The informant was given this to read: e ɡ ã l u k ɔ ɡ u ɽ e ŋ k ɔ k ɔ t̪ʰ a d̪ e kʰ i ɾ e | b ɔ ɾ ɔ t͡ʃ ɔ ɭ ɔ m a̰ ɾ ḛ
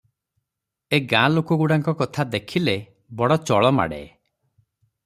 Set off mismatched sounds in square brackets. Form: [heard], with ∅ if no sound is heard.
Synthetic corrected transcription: e ɡ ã l [o] k ɔ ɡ u ɽ [a] ŋ k ɔ k ɔ t̪ʰ a d̪ e kʰ i [l] e | b ɔ [ɽ] ɔ t͡ʃ ɔ ɭ ɔ m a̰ [ɽ] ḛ